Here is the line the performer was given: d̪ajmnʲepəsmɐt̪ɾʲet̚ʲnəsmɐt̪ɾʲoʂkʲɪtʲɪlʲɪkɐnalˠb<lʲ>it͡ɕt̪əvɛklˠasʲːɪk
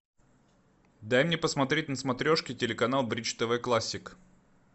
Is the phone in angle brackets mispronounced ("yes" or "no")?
yes